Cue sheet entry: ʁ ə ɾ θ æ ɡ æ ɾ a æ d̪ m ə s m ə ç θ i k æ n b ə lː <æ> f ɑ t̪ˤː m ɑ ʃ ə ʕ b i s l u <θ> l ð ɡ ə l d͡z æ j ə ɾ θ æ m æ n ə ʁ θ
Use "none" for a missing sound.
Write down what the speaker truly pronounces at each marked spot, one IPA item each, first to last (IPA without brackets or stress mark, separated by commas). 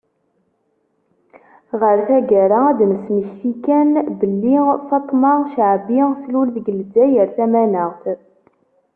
i, none